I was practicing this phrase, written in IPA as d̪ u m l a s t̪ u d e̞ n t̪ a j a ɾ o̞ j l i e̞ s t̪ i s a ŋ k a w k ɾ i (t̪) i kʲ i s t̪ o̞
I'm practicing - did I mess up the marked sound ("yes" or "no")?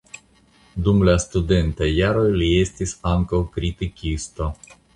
no